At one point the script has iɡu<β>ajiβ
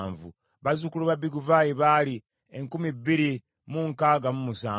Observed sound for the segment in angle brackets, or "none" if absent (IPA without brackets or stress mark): v